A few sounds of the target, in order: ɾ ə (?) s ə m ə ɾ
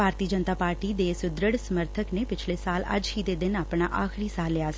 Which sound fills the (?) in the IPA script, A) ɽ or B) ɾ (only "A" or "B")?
A